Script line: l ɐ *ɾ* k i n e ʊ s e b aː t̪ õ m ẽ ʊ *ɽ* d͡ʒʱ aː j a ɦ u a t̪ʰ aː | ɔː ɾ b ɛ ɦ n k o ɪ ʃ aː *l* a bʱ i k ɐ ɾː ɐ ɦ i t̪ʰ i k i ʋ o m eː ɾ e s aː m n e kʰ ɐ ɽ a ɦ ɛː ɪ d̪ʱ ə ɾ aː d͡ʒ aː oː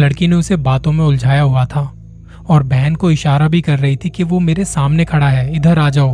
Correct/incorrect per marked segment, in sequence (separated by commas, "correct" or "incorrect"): incorrect, incorrect, incorrect